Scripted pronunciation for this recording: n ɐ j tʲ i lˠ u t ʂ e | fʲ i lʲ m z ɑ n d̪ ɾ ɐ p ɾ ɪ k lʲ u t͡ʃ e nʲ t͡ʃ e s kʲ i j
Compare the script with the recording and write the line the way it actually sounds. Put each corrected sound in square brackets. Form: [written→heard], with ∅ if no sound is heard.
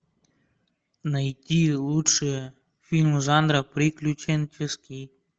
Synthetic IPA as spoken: n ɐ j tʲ i lˠ u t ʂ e | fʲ i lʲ m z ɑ n d̪ ɾ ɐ p ɾ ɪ k lʲ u t͡ʃ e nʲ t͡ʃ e s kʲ i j